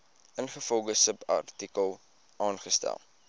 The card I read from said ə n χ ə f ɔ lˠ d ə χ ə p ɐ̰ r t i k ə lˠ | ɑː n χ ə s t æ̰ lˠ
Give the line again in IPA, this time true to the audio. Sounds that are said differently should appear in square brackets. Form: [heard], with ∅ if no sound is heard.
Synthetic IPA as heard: ə n χ ə f ɔ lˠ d ə [s] ə p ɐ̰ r t i k ə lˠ | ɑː n χ ə s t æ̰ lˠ